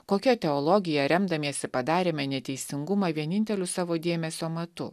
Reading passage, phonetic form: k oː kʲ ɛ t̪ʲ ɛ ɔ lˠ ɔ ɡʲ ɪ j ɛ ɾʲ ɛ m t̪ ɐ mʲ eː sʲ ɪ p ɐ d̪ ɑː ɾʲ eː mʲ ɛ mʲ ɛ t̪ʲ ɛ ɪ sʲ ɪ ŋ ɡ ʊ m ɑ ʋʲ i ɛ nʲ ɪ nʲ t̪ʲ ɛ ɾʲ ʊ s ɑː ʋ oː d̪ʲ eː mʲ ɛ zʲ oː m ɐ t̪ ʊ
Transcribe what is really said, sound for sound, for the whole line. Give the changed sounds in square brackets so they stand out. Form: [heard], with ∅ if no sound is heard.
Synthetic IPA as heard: k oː kʲ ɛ t̪ʲ ɛ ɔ lˠ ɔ ɡʲ ɪ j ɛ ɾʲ ɛ m [d̪] ɐ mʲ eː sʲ ɪ p ɐ d̪ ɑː ɾʲ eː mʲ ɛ [nʲ] ɛ t̪ʲ ɛ ɪ sʲ ɪ ŋ ɡ ʊ m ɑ ʋʲ i ɛ nʲ ɪ nʲ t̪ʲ ɛ [lʲ] ʊ s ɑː ʋ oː d̪ʲ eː mʲ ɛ [sʲ] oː m ɐ t̪ ʊ